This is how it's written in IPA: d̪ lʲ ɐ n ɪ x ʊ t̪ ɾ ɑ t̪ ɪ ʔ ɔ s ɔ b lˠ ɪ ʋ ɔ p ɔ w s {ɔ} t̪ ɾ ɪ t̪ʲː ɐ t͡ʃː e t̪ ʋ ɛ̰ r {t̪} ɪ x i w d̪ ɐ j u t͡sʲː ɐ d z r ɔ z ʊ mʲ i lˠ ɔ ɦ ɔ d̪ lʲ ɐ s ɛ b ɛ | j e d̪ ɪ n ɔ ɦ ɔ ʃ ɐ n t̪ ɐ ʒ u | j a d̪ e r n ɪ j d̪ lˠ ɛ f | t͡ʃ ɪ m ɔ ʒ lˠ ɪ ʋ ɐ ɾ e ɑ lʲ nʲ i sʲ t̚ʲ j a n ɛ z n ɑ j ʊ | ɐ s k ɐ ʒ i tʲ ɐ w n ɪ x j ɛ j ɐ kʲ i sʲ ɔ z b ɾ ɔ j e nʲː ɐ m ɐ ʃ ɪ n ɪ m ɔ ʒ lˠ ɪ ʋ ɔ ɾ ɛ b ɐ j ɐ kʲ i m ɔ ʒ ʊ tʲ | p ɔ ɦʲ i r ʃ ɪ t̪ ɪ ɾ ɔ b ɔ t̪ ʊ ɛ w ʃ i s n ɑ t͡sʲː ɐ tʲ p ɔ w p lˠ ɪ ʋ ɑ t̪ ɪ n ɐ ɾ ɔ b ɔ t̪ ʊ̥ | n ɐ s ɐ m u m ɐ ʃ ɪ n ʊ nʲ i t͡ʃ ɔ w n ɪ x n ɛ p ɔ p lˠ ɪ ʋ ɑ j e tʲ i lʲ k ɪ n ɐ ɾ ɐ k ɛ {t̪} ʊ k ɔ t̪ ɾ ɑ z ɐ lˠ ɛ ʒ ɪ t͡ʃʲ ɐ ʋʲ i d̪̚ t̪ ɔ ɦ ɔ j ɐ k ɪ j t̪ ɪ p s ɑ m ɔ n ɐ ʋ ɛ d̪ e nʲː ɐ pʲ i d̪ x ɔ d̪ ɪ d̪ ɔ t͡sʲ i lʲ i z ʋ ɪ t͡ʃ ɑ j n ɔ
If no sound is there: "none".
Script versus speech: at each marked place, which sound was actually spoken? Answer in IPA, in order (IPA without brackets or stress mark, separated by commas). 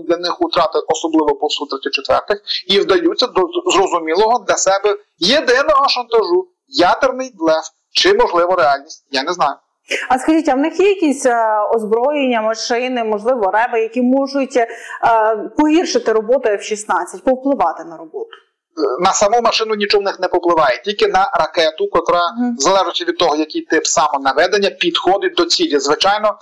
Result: u, t̪, t̪